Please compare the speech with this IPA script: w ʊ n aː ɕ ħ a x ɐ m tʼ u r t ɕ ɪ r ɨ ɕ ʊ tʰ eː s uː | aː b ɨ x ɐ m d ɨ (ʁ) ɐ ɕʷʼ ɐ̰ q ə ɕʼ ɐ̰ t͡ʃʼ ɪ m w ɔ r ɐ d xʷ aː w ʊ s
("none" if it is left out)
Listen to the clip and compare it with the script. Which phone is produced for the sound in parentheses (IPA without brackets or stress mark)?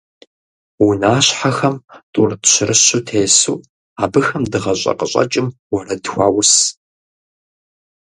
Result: ʁ